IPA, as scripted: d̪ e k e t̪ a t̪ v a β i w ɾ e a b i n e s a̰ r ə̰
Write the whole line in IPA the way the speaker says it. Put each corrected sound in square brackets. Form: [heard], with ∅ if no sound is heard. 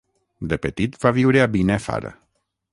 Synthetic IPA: d̪ e [p] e t̪ [i] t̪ v a [v] i w ɾ e a b i n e [f] a̰ [ɾ] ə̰